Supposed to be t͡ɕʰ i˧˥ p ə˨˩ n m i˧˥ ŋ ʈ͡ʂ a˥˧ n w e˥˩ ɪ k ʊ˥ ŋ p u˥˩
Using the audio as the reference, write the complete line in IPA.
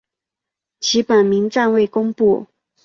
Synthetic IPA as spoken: t͡ɕʰ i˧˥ p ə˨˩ n m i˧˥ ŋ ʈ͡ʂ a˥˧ n w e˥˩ ɪ k ʊ˥ ŋ p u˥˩